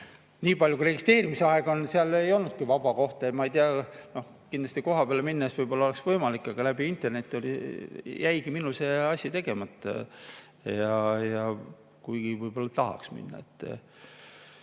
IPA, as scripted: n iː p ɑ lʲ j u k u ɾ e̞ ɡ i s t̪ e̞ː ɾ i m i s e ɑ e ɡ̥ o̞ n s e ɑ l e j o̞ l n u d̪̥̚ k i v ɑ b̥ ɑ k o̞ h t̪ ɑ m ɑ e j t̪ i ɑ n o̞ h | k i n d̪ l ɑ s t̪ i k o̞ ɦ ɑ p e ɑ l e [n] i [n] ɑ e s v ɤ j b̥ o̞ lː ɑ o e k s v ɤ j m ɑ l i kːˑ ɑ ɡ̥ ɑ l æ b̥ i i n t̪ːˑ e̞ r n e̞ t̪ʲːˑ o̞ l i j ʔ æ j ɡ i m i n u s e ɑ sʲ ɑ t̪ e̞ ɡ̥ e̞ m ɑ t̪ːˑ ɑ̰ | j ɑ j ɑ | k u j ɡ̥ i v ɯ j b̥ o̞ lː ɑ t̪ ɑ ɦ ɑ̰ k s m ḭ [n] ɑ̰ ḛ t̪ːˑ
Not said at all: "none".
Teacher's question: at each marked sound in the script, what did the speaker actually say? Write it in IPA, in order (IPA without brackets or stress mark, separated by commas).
m, nː, nː